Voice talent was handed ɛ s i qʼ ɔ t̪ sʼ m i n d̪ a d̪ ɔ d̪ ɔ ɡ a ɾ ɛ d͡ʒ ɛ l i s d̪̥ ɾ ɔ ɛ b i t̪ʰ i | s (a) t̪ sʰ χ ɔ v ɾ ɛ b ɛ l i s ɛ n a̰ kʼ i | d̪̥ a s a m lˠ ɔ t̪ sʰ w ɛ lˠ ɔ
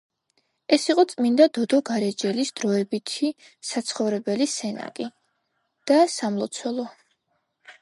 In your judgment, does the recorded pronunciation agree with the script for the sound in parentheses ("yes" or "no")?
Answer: yes